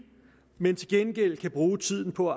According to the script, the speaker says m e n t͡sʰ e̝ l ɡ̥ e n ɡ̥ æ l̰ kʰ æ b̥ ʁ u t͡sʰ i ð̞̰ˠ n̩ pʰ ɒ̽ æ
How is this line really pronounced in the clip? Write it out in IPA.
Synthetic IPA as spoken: m e n t͡sʰ e̝ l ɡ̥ e n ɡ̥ e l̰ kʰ æ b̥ ʁ uː t͡sʰ i ð̞̰ˠ n̩ pʰ ɒ̽ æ